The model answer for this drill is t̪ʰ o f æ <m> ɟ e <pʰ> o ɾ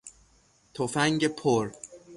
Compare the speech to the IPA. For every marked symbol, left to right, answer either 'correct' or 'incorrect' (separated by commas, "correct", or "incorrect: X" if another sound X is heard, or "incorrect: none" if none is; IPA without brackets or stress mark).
incorrect: ŋ, correct